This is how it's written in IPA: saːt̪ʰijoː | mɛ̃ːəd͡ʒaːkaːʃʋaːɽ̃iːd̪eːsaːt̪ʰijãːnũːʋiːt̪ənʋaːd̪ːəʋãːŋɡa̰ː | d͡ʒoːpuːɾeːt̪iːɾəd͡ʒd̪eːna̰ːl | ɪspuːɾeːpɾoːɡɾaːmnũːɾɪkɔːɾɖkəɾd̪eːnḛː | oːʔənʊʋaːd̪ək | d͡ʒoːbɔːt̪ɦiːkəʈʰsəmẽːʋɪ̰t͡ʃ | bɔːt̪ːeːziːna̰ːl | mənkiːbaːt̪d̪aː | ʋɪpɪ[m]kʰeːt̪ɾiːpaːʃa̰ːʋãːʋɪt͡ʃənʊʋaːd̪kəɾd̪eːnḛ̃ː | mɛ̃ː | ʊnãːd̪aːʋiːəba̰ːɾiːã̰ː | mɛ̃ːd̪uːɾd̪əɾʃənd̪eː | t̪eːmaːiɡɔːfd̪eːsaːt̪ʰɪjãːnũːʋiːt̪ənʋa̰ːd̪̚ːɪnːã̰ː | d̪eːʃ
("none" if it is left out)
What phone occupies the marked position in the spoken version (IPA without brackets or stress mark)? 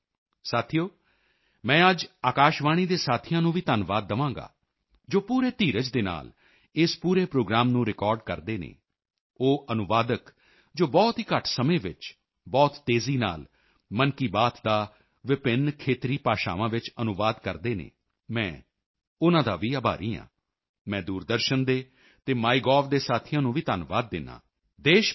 n